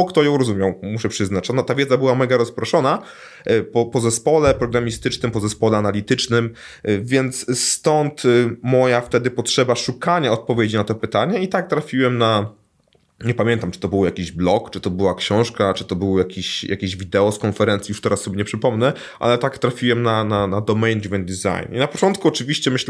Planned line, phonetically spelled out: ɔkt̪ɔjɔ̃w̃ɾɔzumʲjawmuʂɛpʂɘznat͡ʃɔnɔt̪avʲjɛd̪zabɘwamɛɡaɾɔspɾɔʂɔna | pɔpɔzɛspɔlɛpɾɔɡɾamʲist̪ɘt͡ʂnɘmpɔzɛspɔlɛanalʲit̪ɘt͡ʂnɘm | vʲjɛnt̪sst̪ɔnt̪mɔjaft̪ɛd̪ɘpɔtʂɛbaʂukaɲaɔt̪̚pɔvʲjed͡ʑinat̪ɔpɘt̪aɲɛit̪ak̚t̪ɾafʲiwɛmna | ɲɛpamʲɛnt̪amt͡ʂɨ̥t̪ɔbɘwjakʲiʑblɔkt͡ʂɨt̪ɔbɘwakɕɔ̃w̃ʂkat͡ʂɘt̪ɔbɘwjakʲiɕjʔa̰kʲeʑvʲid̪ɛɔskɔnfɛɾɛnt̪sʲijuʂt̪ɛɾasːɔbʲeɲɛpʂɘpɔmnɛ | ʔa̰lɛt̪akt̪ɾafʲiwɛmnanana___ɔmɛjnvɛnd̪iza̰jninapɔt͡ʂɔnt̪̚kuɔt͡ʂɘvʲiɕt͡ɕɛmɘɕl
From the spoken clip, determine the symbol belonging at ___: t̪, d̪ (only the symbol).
d̪